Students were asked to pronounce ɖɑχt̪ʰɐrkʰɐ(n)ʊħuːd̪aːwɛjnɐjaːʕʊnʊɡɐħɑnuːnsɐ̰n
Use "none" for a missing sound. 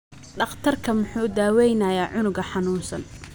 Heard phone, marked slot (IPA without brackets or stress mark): m